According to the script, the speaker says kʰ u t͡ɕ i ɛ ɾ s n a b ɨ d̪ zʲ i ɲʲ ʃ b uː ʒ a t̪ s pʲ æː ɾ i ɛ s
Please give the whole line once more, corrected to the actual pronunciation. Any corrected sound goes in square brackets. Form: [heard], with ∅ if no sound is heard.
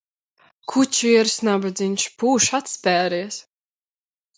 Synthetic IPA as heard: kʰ u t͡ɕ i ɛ ɾ s n a b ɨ d̪ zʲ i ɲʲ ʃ [p] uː [ʃ] a t̪ s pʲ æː ɾ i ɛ s

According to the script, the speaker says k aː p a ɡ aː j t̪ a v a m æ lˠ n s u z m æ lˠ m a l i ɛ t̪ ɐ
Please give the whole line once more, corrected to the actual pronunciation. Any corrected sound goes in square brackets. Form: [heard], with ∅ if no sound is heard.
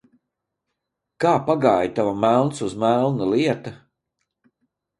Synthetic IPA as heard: k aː p a ɡ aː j t̪ a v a m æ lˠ n s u z m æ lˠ [n] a l i ɛ t̪ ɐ

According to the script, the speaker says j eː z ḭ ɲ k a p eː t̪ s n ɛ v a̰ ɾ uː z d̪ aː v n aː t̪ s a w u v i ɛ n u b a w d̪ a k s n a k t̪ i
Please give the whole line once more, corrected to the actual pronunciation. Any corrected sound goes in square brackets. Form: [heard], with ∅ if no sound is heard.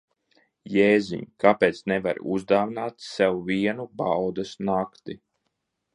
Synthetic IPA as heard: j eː z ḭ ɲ k a p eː t̪ s n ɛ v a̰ ɾ [u] z d̪ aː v n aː t̪ s [ɛ] w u v i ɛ n u b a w d̪ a [∅] s n a k t̪ i

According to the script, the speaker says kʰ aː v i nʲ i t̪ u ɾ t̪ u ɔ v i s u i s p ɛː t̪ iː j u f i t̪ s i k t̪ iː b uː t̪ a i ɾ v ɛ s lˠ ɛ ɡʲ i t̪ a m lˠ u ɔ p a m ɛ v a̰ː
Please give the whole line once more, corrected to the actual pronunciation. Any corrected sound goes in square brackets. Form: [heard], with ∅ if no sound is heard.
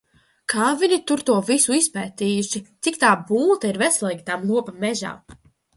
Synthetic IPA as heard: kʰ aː v i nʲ i t̪ u ɾ t̪ u ɔ v i s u i s p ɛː t̪ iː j u [ʃ] i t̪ s i k t̪ [aː] b uː t̪ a i ɾ v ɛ s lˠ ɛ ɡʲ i t̪ a m lˠ u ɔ p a m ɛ [ʒ] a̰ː

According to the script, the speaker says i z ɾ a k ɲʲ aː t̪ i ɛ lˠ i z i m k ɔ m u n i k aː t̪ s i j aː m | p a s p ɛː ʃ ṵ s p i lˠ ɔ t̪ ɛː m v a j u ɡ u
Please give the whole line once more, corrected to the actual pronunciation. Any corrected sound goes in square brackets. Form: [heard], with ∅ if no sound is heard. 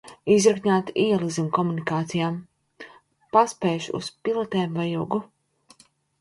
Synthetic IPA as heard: i z ɾ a k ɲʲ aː t̪ i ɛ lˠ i z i m k ɔ m u n i k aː t̪ s i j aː m | p a s p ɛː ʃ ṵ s p i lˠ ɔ t̪ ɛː m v a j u ɡ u

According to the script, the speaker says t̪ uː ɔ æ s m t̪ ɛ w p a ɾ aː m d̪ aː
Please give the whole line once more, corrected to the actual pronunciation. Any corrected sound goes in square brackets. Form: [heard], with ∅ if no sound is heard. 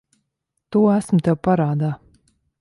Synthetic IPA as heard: t̪ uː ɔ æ s m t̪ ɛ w p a ɾ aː [∅] d̪ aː

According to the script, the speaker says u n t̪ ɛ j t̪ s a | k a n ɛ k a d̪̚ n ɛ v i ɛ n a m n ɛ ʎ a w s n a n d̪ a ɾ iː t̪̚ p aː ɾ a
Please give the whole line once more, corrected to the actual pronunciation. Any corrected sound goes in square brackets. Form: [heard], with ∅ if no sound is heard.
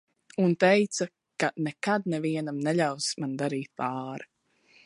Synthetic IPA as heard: u n t̪ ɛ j t̪ s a | k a n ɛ k a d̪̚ n ɛ v i ɛ n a m n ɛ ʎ a w s [m] a n d̪ a ɾ iː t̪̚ p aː ɾ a

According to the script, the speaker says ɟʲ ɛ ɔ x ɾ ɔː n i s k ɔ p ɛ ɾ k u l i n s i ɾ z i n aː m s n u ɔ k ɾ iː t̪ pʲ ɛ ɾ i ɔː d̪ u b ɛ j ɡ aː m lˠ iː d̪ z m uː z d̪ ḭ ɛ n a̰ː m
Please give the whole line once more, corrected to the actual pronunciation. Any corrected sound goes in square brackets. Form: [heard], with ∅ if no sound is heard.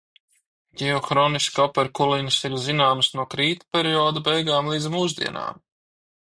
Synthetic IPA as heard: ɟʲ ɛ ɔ x ɾ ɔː n i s k ɔ p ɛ ɾ k u l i n s i ɾ z i n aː m s n u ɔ k ɾ iː t̪ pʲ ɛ ɾ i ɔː d̪ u b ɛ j ɡ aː m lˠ iː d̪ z m uː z d̪ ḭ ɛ n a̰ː m

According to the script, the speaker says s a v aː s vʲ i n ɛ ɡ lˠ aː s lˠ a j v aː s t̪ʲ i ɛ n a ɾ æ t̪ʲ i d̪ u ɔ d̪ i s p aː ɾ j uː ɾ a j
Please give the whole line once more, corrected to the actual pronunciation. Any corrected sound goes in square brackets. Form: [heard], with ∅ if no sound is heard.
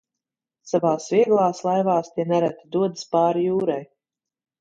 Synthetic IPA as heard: s a v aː s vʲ i [∅] ɛ ɡ lˠ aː s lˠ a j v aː s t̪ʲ i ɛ n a ɾ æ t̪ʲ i d̪ u ɔ d̪ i s p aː ɾ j uː ɾ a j

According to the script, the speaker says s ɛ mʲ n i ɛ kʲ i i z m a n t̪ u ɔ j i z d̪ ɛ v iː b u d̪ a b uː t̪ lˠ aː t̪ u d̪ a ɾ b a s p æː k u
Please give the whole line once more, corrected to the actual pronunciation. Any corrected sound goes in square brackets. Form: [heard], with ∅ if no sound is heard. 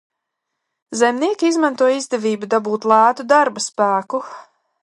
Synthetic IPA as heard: [z] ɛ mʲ n i ɛ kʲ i i z m a n t̪ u ɔ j i z d̪ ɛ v iː b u d̪ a b uː t̪ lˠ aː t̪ u d̪ a ɾ b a s p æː k u

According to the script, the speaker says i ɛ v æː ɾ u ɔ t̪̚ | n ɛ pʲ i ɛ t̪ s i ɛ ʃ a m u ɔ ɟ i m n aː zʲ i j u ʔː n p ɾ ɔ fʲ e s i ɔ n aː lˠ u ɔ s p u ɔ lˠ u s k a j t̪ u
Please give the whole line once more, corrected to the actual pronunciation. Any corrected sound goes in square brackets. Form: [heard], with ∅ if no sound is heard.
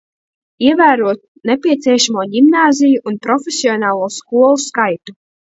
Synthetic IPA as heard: i ɛ v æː ɾ u ɔ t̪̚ | n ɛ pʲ i ɛ t̪ s i ɛ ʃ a m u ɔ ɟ i m n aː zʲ i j u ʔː n p ɾ ɔ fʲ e s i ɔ n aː lˠ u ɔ s [k] u ɔ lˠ u s k a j t̪ u

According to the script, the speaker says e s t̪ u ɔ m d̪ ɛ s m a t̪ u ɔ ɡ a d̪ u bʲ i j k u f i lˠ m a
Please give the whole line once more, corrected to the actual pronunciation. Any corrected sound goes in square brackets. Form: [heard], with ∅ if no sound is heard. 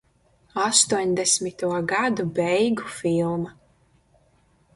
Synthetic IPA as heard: [a] s t̪ u ɔ [ɲ] d̪ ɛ s m [i] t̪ u ɔ ɡ a d̪ u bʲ [ɛ] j [ɡ] u f i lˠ m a

